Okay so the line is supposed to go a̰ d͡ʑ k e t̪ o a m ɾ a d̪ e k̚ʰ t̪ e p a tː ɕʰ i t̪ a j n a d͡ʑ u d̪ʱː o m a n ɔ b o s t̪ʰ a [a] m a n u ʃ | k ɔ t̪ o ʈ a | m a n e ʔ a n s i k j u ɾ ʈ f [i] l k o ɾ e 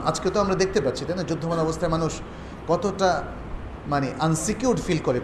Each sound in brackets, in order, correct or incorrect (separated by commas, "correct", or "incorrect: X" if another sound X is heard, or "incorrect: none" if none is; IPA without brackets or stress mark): incorrect: e, correct